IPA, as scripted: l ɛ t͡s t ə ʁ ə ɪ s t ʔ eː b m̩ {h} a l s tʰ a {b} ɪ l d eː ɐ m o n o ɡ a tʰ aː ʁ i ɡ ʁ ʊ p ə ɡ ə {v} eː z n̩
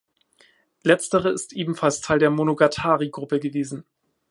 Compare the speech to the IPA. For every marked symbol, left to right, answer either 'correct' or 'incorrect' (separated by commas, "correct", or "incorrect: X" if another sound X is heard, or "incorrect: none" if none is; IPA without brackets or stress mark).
incorrect: f, incorrect: none, correct